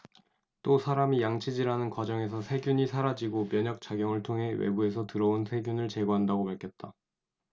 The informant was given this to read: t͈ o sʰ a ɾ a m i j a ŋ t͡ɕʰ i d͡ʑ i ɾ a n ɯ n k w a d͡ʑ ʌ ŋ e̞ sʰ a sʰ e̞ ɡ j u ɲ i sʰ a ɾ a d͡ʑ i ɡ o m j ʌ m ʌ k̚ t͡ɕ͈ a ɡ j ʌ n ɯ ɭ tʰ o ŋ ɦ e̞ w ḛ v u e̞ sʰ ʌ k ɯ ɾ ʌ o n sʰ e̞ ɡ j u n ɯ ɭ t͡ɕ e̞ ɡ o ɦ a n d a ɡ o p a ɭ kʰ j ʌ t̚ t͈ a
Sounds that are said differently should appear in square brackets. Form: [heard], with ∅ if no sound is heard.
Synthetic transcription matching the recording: t͈ o sʰ a ɾ a m i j a ŋ t͡ɕʰ i d͡ʑ i ɾ a n ɯ n k w a d͡ʑ ʌ ŋ e̞ sʰ [ʌ] sʰ e̞ ɡ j u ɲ i sʰ a ɾ a d͡ʑ i ɡ o m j ʌ [ɲ] ʌ k̚ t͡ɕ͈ a ɡ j ʌ [ŋ] ɯ ɭ tʰ o ŋ ɦ e̞ w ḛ [b] u e̞ sʰ ʌ [t] ɯ ɾ ʌ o n sʰ e̞ ɡ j u n ɯ ɭ t͡ɕ e̞ ɡ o ɦ a n d a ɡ o p a ɭ kʰ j ʌ t̚ t͈ a